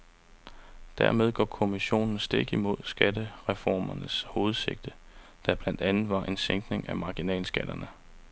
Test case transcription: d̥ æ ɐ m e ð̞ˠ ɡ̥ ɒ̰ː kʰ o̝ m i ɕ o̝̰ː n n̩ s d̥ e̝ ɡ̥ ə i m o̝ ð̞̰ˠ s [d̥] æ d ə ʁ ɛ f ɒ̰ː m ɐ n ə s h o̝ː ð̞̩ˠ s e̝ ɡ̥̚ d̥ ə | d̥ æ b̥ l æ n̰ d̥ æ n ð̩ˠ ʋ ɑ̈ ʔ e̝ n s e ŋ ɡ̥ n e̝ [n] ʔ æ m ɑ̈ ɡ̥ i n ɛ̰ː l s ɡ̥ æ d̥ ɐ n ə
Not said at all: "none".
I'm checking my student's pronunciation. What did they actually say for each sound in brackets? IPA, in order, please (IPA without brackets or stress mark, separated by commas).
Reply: ɡ̥, ŋ